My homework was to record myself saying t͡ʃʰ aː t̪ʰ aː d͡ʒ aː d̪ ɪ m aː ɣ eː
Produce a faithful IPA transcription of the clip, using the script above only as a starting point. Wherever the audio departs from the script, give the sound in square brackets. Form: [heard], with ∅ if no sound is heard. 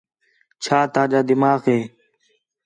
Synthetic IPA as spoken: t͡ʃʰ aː [t̪] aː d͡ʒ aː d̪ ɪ m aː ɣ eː